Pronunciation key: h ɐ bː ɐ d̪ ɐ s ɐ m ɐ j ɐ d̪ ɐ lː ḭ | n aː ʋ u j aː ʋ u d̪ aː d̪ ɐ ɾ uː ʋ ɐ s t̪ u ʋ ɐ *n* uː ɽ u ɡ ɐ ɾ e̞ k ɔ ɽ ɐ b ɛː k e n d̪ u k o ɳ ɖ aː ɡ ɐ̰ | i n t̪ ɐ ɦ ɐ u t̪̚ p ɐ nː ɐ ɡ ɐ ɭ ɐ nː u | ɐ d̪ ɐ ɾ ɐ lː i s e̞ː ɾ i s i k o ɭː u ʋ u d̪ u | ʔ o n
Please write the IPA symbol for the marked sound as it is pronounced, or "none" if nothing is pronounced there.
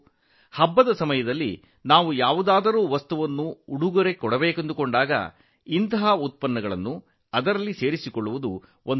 nː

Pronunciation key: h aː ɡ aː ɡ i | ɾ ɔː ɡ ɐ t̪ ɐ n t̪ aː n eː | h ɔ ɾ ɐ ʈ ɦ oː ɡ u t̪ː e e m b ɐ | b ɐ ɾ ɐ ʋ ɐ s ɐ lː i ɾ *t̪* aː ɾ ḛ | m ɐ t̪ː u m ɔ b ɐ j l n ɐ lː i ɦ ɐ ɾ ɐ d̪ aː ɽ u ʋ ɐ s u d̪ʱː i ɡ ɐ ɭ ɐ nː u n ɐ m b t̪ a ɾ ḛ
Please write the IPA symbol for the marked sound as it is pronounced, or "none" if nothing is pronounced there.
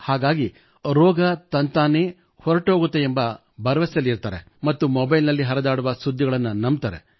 t̪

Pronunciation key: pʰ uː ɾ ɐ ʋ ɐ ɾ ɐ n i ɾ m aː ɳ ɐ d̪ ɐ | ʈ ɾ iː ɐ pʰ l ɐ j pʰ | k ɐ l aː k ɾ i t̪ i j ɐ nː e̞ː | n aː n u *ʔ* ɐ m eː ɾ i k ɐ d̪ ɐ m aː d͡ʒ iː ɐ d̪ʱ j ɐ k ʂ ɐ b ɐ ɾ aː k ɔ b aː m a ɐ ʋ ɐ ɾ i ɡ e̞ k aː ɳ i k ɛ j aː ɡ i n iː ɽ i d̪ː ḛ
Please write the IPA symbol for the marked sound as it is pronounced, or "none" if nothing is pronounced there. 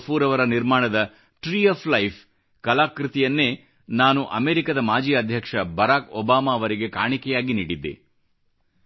ʔ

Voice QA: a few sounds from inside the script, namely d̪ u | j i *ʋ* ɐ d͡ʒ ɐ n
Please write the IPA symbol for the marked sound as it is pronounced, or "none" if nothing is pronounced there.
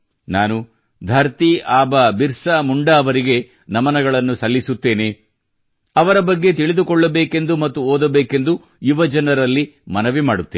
ʋ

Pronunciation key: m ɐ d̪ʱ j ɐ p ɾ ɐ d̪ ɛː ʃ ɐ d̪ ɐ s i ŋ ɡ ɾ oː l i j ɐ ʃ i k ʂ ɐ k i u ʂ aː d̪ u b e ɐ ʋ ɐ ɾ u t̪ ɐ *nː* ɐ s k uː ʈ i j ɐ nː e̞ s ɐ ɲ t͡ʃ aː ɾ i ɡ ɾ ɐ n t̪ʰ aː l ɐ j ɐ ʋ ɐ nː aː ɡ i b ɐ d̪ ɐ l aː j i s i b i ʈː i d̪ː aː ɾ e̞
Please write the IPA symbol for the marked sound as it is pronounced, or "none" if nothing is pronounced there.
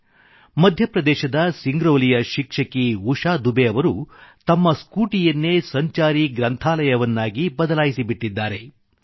mː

